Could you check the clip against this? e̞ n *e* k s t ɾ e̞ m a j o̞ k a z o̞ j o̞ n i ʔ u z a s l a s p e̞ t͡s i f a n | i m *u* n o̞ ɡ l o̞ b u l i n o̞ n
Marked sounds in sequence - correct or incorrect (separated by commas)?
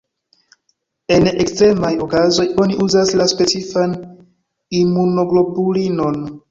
correct, correct